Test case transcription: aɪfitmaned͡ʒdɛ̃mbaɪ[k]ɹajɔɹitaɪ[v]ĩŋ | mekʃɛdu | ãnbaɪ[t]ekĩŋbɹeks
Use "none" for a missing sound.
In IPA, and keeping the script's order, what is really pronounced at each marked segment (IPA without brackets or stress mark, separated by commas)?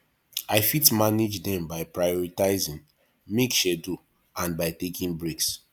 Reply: p, z, t